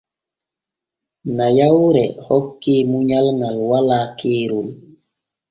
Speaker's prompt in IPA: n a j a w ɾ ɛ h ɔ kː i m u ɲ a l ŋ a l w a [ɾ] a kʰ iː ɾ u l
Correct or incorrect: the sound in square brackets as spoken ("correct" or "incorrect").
incorrect